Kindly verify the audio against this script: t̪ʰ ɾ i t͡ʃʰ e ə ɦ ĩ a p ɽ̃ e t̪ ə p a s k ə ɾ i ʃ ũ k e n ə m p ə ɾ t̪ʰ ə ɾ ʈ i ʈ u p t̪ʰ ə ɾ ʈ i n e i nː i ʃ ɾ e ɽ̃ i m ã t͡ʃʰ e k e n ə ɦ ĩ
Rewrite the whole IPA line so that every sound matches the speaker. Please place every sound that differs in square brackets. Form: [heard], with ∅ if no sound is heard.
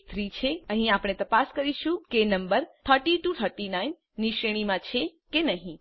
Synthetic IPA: t̪ʰ ɾ i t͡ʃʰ e ə ɦ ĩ a p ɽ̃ e t̪ ə p a s k ə ɾ i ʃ ũ k e n ə m [b] ə ɾ t̪ʰ ə ɾ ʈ i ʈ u [∅] t̪ʰ ə ɾ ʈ i n [a] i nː i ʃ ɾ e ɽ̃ i m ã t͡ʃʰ e k e n ə ɦ ĩ